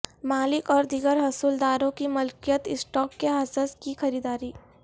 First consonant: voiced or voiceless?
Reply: voiced